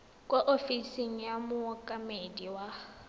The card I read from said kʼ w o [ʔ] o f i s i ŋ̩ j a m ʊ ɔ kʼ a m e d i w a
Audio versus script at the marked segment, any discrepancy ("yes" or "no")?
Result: no